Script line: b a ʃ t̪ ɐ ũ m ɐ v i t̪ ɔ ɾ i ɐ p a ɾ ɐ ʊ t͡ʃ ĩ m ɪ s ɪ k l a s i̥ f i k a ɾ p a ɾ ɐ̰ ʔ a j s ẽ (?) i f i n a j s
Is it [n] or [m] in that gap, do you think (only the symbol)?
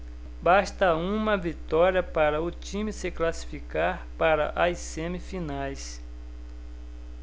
m